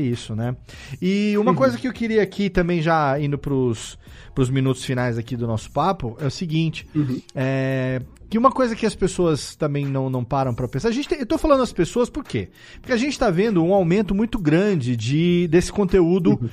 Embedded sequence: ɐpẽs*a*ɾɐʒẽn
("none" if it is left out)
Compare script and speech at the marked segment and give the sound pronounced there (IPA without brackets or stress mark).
a